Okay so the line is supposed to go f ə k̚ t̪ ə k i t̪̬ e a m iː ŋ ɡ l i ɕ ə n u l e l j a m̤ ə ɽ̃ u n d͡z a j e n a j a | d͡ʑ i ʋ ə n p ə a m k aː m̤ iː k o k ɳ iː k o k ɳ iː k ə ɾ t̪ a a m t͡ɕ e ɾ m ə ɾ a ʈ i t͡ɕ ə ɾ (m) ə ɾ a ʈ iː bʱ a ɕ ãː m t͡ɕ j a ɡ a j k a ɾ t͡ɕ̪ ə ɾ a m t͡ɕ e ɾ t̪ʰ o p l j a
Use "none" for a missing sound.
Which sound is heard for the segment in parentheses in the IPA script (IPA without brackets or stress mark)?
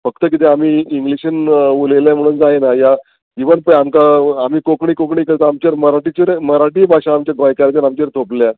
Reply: m